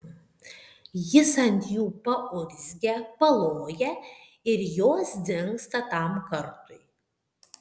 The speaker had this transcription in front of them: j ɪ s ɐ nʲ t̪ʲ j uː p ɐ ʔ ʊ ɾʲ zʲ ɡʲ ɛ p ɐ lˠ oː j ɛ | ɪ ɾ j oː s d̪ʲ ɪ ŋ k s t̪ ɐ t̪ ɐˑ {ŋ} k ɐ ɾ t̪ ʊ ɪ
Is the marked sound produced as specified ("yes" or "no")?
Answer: no